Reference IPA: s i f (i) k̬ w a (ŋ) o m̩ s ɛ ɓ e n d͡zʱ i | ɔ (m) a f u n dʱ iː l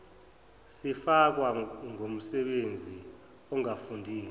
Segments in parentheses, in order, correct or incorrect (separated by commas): incorrect, correct, incorrect